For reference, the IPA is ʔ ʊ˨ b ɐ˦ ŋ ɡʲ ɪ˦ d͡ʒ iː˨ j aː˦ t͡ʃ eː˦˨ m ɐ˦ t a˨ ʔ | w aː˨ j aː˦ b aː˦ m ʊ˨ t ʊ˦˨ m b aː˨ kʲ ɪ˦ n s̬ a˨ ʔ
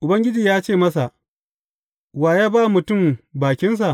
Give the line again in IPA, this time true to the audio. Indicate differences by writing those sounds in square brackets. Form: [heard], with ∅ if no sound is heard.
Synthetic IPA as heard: ʔ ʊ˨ b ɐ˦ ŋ ɡʲ ɪ˦ d͡ʒ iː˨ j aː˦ t͡ʃ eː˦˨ m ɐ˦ [s] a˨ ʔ | w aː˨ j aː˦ b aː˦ m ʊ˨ t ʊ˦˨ m b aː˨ kʲ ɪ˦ n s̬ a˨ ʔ